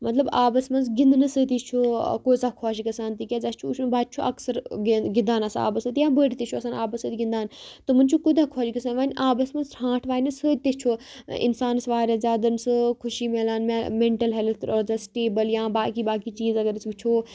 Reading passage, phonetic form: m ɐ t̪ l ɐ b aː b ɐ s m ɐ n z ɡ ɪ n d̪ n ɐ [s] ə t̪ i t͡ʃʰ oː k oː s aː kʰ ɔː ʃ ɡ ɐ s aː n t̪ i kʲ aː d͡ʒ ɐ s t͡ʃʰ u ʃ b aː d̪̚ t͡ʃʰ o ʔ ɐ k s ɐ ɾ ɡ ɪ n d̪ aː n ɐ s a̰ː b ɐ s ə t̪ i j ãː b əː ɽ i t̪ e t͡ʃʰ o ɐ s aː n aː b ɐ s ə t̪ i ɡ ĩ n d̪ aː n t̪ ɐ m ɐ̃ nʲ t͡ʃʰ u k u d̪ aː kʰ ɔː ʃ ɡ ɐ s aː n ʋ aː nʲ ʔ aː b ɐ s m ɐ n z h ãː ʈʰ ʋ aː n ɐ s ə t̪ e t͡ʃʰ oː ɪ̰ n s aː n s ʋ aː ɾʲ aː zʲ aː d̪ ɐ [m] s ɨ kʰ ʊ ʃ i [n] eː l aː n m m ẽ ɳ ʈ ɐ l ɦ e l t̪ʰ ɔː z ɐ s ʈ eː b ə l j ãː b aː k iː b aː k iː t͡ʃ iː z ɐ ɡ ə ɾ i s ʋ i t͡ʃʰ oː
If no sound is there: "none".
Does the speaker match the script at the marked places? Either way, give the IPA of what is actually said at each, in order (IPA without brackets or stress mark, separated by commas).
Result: s, n, m